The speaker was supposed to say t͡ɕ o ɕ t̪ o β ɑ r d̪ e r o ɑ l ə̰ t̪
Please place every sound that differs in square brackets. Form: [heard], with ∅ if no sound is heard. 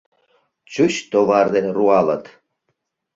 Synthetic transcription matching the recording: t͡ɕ [u] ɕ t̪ o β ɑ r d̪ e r [u] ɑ l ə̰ t̪